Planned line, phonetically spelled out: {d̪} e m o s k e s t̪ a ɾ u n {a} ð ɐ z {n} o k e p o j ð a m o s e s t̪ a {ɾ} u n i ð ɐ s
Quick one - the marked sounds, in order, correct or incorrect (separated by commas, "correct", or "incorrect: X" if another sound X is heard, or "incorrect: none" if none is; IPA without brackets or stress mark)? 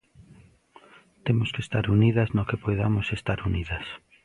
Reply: incorrect: t̪, incorrect: i, correct, correct